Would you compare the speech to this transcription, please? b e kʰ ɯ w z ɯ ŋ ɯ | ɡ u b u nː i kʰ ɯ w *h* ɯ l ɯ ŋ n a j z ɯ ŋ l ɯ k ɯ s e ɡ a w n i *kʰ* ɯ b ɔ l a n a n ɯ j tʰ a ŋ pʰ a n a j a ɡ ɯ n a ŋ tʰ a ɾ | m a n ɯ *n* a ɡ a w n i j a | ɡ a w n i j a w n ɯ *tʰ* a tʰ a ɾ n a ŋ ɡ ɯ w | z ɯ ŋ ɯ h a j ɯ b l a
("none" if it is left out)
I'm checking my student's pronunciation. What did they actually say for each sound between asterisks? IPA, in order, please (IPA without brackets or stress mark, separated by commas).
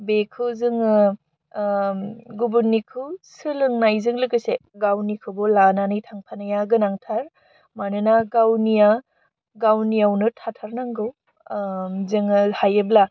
s, kʰ, n, tʰ